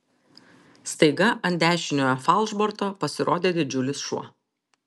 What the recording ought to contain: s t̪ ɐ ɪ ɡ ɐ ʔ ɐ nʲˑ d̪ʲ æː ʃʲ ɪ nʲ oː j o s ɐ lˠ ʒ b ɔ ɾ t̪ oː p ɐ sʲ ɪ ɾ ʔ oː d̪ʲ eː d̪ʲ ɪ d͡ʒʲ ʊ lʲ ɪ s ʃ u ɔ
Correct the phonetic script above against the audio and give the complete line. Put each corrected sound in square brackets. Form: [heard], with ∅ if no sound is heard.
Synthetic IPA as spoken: s t̪ ɐ ɪ ɡ ɐ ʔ ɐ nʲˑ d̪ʲ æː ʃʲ ɪ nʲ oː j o [f] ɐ lˠ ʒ b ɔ ɾ t̪ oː p ɐ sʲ ɪ ɾ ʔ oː d̪ʲ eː d̪ʲ ɪ d͡ʒʲ ʊ lʲ ɪ s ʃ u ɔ